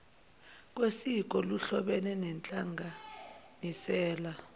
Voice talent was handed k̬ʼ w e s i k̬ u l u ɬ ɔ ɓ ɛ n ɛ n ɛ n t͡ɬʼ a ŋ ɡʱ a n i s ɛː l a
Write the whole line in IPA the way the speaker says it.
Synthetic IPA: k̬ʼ w e s i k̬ ɔ l u ɬ ɔ ɓ ɛ n ɛ n ɛ n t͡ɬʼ a ŋ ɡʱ a n i s ɛː l a